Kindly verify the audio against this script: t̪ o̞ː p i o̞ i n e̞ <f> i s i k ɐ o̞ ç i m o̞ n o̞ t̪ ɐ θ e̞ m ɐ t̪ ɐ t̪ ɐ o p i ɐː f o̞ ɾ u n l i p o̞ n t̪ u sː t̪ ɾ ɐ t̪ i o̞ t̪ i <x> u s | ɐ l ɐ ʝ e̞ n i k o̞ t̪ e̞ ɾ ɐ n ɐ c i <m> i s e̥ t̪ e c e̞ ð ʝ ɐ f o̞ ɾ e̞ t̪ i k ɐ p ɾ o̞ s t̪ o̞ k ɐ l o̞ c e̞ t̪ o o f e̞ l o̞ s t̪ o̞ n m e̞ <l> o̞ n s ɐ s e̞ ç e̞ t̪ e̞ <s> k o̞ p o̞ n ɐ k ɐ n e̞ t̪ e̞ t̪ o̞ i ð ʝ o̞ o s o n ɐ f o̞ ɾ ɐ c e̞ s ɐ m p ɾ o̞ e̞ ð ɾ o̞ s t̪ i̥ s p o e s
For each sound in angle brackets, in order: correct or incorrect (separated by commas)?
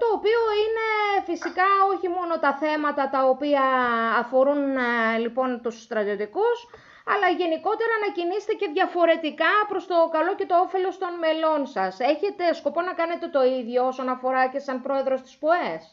correct, incorrect, incorrect, correct, correct